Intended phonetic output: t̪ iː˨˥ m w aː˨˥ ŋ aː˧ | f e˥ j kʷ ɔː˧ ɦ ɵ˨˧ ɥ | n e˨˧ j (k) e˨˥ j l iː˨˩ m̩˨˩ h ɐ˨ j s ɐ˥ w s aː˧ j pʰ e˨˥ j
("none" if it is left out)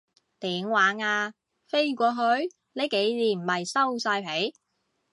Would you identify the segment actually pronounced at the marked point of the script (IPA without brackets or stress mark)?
k